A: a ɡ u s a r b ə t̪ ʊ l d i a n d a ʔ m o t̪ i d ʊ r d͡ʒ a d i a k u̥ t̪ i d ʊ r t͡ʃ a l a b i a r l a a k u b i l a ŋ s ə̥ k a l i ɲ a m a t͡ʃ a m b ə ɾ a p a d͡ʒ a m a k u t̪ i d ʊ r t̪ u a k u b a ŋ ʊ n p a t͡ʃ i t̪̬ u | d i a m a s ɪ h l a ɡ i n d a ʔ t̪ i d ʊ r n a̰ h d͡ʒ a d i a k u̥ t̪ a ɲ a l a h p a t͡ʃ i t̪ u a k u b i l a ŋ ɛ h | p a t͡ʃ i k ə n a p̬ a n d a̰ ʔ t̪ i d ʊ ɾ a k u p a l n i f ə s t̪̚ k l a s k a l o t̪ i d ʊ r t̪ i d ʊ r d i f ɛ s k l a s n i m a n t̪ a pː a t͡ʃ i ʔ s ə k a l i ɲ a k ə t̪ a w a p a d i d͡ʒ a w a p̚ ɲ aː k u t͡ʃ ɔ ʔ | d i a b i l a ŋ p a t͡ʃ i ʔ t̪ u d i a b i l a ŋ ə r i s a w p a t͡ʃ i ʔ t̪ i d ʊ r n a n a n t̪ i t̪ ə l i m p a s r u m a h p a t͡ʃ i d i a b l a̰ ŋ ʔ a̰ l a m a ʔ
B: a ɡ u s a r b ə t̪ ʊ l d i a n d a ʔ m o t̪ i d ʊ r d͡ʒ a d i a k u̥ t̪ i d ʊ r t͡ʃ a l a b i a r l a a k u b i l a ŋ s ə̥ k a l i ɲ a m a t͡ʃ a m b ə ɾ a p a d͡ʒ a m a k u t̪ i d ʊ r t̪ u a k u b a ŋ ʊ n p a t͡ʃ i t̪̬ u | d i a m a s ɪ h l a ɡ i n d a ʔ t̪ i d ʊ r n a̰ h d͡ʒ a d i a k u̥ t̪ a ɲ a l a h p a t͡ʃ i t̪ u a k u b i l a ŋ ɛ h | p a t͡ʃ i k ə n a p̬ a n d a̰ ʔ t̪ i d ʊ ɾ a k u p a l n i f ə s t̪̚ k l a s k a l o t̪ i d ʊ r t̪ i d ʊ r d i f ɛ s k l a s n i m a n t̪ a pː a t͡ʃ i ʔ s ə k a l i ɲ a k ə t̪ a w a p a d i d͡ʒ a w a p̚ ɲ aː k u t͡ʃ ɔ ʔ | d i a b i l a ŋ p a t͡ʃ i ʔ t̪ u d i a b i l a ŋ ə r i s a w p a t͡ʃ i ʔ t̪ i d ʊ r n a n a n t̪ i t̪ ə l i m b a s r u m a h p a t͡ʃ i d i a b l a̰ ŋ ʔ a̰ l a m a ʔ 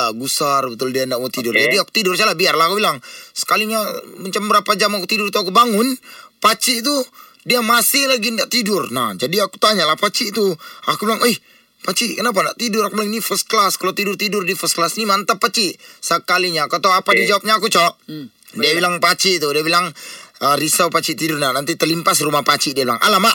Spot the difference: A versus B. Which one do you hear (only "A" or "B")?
A